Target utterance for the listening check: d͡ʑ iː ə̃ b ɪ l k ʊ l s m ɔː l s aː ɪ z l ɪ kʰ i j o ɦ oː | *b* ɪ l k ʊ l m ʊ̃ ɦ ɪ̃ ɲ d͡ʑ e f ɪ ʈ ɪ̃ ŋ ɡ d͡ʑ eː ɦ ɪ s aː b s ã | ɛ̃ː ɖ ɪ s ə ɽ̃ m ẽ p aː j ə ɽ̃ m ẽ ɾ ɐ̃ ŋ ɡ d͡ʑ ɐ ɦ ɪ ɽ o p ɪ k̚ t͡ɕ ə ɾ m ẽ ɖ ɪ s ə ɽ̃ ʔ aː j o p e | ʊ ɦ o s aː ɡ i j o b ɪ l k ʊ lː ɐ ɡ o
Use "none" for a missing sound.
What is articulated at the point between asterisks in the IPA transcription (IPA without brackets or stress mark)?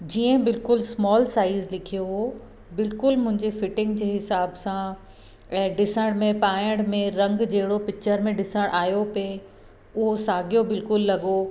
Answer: b